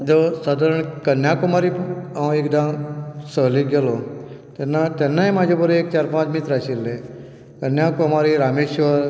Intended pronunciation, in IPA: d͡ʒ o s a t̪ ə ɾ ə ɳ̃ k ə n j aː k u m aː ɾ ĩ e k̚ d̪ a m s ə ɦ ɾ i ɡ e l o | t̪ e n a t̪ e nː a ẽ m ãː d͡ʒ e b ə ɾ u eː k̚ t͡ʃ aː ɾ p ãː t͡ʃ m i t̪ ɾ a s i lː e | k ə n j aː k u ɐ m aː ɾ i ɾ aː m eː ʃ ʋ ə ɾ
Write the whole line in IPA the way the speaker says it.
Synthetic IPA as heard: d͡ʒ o s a d̪ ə ɾ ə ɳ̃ k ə n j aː k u m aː ɾ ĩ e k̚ d̪ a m s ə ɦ l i ɡ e l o | t̪ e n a t̪ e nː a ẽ m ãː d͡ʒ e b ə ɾ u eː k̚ t͡ʃ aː ɾ p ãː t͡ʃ m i t̪ ɾ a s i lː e | k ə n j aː k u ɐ m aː ɾ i ɾ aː m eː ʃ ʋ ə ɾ